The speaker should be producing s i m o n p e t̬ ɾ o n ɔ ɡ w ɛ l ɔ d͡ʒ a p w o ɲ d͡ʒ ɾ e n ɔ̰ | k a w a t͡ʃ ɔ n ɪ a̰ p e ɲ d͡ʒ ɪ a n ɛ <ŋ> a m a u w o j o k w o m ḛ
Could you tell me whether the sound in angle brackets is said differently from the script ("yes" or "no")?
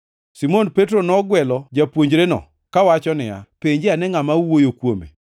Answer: no